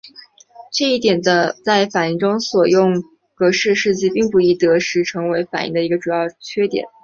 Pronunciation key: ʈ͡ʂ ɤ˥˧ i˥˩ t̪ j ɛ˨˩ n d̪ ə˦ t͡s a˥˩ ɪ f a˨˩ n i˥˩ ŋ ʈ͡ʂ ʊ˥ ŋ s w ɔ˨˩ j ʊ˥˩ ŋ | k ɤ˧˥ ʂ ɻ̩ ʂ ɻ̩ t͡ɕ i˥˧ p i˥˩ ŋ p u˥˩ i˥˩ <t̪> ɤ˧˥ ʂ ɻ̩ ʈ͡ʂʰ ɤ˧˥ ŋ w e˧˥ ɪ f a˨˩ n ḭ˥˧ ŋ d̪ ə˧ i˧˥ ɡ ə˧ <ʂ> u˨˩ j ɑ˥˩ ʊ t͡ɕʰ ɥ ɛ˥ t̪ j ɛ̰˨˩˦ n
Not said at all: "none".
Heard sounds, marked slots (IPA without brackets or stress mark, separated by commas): t̪, ʈ͡ʂ